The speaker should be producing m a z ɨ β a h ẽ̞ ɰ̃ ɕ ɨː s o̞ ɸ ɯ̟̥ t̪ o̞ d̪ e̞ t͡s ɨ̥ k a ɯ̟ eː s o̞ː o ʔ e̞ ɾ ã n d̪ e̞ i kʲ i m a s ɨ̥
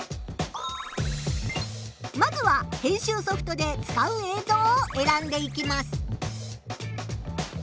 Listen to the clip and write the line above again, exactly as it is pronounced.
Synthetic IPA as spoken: m a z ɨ β a h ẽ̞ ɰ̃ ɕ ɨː s o̞ ɸ ɯ̟̥ t̪ o̞ d̪ e̞ t͡s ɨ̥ k a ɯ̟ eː z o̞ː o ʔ e̞ ɾ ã n d̪ e̞ i kʲ i m a s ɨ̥